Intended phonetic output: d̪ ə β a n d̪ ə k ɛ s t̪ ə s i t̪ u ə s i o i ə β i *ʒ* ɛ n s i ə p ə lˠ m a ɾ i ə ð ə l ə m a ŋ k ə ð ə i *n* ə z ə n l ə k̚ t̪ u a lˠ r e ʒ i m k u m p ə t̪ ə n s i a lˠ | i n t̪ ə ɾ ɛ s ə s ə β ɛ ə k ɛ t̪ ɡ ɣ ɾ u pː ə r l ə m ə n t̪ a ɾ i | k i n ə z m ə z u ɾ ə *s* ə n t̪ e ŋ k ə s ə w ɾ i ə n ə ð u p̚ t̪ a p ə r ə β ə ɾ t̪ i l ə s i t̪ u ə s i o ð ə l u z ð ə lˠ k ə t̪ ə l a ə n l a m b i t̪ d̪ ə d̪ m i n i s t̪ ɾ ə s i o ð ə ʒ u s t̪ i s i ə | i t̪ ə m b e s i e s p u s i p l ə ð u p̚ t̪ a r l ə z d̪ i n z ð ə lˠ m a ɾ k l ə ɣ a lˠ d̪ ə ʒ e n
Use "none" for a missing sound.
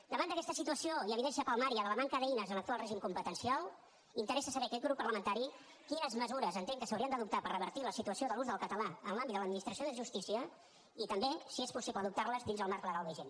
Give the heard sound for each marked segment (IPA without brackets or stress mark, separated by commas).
ð, n, z